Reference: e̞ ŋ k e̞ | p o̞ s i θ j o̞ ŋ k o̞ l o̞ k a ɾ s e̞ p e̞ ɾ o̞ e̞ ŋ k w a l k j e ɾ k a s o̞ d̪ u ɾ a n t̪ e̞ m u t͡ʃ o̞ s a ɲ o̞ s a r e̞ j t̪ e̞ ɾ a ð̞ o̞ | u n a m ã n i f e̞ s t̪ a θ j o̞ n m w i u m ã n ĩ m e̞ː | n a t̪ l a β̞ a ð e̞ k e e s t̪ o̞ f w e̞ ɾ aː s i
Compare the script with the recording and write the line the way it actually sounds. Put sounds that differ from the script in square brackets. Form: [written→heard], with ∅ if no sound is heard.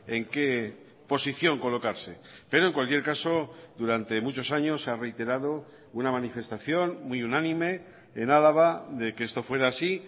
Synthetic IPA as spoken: e̞ ŋ k e̞ | p o̞ s i θ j o̞ ŋ k o̞ l o̞ k a ɾ s e̞ p e̞ ɾ o̞ e̞ ŋ k w a l k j e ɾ k a s o̞ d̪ u ɾ a n t̪ e̞ m u t͡ʃ o̞ s a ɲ o̞ s a r e̞ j t̪ e̞ ɾ a ð̞ o̞ | u n a m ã n i f e̞ s t̪ a θ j o̞ n m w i u [m→n] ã n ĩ m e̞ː | n a [t̪→∅] l a β̞ a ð e̞ k e e s t̪ o̞ f w e̞ ɾ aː s i

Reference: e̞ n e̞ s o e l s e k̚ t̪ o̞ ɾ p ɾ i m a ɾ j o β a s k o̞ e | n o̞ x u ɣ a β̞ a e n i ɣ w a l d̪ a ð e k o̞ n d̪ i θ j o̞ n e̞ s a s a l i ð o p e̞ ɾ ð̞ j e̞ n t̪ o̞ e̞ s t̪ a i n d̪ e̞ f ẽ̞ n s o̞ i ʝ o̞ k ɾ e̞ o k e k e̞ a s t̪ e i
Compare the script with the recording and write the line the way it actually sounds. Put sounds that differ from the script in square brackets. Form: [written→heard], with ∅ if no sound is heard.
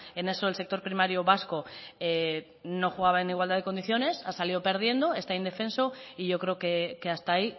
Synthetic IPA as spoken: e̞ n e̞ s o e l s e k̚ t̪ o̞ ɾ p ɾ i m a ɾ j o β a s k o̞ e | n o̞ x u ɣ a β̞ a e n i ɣ w a l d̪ a ð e k o̞ n d̪ i θ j o̞ n e̞ s a s a l i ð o p e̞ ɾ ð̞ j e̞ n [t̪→d̪] o̞ e̞ s t̪ a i n d̪ e̞ f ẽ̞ n s o̞ i ʝ o̞ k ɾ e̞ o k e k e̞ a s t̪ [e→a] i

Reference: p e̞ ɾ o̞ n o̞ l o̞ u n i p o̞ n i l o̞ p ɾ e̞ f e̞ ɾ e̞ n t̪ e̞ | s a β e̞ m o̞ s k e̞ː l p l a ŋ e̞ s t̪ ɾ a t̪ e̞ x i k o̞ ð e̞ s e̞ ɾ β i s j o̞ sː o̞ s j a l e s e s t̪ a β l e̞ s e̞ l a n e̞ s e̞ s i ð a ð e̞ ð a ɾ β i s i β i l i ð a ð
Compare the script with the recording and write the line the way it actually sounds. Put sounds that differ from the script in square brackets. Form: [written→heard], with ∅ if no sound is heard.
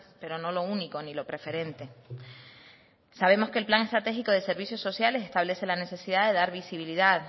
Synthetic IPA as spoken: p e̞ ɾ o̞ n o̞ l o̞ u n i [p→k] o̞ n i l o̞ p ɾ e̞ f e̞ ɾ e̞ n t̪ e̞ | s a β e̞ m o̞ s k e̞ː l p l a ŋ e̞ s t̪ ɾ a t̪ e̞ x i k o̞ ð e̞ s e̞ ɾ β i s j o̞ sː o̞ s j a l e s e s t̪ a β l e̞ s e̞ l a n e̞ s e̞ s i ð a ð e̞ ð a ɾ β i s i β i l i ð a ð

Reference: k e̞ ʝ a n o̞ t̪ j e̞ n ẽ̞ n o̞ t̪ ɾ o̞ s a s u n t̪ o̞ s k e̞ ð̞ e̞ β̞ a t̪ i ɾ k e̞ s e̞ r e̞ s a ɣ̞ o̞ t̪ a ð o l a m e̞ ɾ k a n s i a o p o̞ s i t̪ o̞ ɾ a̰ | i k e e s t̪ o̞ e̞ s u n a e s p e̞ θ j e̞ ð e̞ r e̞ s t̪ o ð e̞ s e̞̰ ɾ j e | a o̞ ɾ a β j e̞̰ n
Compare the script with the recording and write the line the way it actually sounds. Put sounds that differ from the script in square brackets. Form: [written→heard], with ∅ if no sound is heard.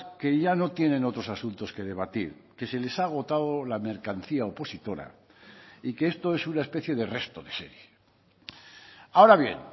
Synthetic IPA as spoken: k e̞ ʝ a n o̞ t̪ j e̞ n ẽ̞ n o̞ t̪ ɾ o̞ s a s u n t̪ o̞ s k e̞ ð̞ e̞ β̞ a t̪ i ɾ k e̞ s e̞ [r→l] e̞ s a ɣ̞ o̞ t̪ a ð o l a m e̞ ɾ k a n [s→θ] i a o p o̞ s i t̪ o̞ ɾ a̰ | i k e e s t̪ o̞ e̞ s u n a e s p e̞ θ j e̞ ð e̞ r e̞ s t̪ o ð e̞ s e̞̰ ɾ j e | a o̞ ɾ a β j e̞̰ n

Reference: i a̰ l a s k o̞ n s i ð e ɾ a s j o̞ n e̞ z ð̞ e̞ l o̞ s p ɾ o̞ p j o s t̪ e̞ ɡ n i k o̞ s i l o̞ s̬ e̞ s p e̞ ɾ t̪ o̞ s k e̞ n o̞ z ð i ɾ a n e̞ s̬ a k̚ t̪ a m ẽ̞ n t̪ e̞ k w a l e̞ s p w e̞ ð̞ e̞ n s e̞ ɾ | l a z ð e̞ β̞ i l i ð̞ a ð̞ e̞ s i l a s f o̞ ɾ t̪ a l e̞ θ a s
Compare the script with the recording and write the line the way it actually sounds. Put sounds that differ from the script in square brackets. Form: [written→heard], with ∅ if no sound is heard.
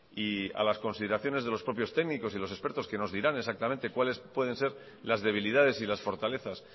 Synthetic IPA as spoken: i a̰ l a s k o̞ n s i ð e ɾ a [s→θ] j o̞ n e̞ z ð̞ e̞ l o̞ s p ɾ o̞ p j o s t̪ e̞ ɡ n i k o̞ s i l o̞ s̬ e̞ s p e̞ ɾ t̪ o̞ s k e̞ n o̞ z ð i ɾ a n e̞ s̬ a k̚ t̪ a m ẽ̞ n t̪ e̞ k w a l e̞ s p w e̞ ð̞ e̞ n s e̞ ɾ | l a z ð e̞ β̞ i l i ð̞ a ð̞ e̞ s i l a s f o̞ ɾ t̪ a l e̞ θ a s

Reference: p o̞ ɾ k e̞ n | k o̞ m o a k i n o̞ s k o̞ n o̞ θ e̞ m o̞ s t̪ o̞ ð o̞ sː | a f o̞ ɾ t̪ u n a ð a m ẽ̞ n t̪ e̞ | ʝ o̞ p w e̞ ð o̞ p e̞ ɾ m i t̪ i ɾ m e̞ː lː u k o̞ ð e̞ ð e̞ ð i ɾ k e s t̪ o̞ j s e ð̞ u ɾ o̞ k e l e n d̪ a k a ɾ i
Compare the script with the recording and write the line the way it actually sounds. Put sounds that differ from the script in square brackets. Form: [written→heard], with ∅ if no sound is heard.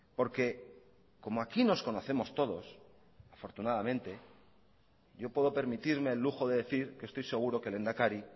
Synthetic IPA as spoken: p o̞ ɾ k e̞ [n→∅] | k o̞ m o a k i n o̞ s k o̞ n o̞ θ e̞ m o̞ s t̪ o̞ ð o̞ [sː→s] | a f o̞ ɾ t̪ u n a ð a m ẽ̞ n t̪ e̞ | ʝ o̞ p w e̞ ð o̞ p e̞ ɾ m i t̪ i ɾ m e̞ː lː u [k→x] o̞ ð e̞ ð e̞ [ð→θ] i ɾ k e s t̪ o̞ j s e [ð̞→ɣ̞] u ɾ o̞ k e l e n d̪ a k a ɾ i

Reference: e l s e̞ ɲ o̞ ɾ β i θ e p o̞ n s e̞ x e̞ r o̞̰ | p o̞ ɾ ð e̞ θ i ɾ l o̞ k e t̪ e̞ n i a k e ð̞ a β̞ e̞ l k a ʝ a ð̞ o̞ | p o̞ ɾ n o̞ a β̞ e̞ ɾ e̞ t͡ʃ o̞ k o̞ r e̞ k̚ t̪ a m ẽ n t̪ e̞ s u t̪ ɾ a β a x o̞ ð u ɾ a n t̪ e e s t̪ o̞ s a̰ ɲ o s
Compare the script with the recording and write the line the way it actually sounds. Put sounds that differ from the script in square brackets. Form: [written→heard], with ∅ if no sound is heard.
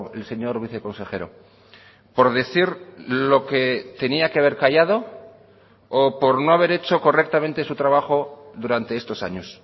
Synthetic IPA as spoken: e l s e̞ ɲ o̞ ɾ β i θ e [p→k] o̞ n s e̞ x e̞ [r→ɾ] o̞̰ | p o̞ ɾ ð e̞ θ i ɾ l o̞ k e t̪ e̞ n i a k e [ð̞→∅] a β̞ e̞ [l→ɾ] k a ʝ a ð̞ o̞ | p o̞ ɾ n o̞ a β̞ e̞ ɾ e̞ t͡ʃ o̞ k o̞ r e̞ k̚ t̪ a m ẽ n t̪ e̞ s u t̪ ɾ a β a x o̞ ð u ɾ a n t̪ e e s t̪ o̞ s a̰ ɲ o s

